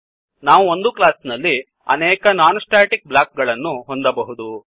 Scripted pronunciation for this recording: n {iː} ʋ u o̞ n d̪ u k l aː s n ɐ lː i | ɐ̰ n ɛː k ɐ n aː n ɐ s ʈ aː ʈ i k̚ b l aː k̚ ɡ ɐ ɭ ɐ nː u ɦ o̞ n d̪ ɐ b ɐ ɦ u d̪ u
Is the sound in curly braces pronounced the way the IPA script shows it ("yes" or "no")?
no